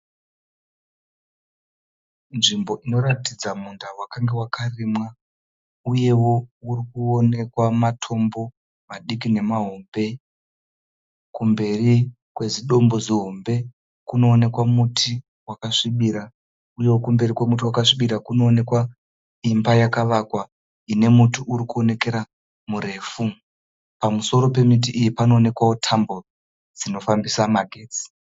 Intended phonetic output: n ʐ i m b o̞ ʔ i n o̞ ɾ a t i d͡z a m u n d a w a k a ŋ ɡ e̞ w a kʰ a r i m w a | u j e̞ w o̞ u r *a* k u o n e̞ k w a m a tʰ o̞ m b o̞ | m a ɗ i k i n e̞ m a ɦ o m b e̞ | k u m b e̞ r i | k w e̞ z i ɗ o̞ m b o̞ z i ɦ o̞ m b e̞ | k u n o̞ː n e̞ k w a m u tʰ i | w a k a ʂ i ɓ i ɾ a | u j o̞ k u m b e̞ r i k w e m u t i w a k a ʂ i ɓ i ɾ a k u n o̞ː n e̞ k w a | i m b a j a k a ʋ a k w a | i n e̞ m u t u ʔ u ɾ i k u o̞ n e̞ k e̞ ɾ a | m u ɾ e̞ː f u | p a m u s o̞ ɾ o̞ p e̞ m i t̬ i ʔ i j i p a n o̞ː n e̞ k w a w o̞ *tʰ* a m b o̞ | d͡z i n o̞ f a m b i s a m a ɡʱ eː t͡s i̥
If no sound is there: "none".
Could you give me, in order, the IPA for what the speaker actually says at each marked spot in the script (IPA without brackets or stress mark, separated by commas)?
i, tʰ